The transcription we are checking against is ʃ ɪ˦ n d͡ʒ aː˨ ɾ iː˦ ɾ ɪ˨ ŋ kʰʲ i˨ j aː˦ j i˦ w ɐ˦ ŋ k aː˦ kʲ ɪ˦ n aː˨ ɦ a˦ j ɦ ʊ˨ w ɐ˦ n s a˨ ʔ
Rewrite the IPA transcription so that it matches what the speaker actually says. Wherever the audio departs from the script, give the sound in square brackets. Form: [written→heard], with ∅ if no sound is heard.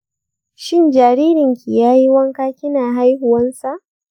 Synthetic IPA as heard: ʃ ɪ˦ n d͡ʒ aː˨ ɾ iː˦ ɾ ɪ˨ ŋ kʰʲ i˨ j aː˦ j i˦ w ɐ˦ ŋ k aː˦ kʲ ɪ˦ n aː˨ ɦ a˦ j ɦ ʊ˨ w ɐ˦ n s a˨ ʔ